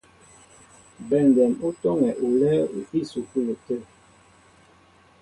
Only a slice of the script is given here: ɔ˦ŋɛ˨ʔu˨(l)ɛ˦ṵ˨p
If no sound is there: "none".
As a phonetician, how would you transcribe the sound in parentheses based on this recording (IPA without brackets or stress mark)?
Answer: l